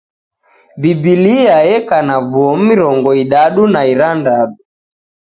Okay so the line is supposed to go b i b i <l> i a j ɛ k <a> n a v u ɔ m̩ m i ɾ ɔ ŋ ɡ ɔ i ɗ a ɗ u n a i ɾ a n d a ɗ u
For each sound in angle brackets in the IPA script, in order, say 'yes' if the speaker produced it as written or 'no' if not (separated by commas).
yes, yes